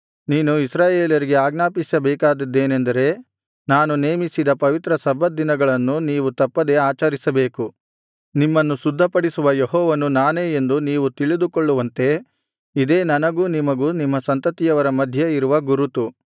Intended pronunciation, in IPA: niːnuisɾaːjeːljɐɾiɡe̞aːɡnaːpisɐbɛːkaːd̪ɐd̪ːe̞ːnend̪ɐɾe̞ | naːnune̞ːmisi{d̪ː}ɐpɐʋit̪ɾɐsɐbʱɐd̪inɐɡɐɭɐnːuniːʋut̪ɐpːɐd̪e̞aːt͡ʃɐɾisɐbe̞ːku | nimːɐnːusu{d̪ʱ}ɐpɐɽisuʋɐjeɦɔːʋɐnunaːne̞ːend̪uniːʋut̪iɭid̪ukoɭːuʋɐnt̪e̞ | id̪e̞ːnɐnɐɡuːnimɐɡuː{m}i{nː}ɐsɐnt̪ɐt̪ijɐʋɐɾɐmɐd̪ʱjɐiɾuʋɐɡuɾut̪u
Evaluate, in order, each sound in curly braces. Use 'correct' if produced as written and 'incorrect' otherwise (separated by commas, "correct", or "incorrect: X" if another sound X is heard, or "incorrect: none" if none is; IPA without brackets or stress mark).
incorrect: d̪, incorrect: d̪ʱː, incorrect: n, incorrect: mː